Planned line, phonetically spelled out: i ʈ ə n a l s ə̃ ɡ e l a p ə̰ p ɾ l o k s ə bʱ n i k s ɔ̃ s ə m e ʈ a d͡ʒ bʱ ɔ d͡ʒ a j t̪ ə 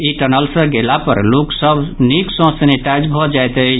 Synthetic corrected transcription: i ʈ ə n ə l s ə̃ ɡ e l a p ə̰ ɾ l o k s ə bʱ n i k s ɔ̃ s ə n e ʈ a d͡ʒ bʱ ɔ d͡ʒ a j t̪ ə